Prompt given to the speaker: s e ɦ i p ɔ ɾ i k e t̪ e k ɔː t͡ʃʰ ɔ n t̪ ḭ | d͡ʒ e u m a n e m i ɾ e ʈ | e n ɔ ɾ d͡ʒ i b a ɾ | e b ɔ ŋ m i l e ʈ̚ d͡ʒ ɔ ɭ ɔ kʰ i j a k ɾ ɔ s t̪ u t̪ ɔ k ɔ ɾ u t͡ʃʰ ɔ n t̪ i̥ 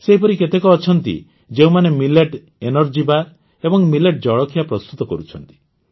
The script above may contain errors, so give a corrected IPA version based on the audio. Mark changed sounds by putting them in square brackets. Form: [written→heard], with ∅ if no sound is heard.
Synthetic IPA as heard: s e ɦ i p ɔ ɾ i k e t̪ e k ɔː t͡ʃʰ ɔ n t̪ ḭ | d͡ʒ e u m a n e m i [ɾ→l] e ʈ | e n ɔ ɾ d͡ʒ i b a ɾ | e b ɔ ŋ m i l e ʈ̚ d͡ʒ ɔ ɭ ɔ kʰ i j a [k→p] ɾ ɔ s t̪ u t̪ ɔ k ɔ ɾ u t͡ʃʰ ɔ n t̪ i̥